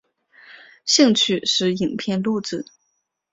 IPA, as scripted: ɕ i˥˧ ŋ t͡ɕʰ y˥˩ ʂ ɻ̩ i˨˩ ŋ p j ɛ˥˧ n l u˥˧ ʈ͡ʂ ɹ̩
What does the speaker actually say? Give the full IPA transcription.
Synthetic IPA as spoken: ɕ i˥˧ ŋ t͡ɕʰ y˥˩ ʂ ɻ̩ i˨˩ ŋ pʰ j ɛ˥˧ n l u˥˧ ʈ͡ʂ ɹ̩